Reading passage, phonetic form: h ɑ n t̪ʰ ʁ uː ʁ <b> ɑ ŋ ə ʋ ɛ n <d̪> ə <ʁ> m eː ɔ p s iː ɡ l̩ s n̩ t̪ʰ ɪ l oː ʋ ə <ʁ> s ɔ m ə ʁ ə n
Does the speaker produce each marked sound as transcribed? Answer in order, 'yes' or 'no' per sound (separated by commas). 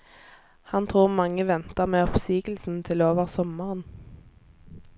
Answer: no, no, yes, yes